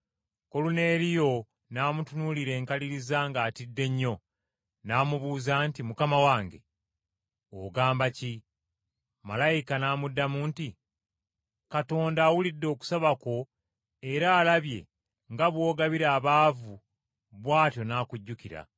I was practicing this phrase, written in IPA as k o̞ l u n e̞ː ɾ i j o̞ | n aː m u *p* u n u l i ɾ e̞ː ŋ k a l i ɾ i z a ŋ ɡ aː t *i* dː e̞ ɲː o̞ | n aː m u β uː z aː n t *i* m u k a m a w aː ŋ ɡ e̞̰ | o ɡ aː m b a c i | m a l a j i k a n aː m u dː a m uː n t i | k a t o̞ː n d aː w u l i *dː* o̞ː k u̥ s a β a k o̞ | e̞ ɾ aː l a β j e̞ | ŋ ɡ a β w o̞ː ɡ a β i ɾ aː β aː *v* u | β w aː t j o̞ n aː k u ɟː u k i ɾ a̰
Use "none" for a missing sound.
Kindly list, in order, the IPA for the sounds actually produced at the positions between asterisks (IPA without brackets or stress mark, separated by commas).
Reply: t, i, i, dː, v